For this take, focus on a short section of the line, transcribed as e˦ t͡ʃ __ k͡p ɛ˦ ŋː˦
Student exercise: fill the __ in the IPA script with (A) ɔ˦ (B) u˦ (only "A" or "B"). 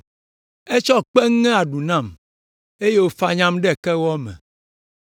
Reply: A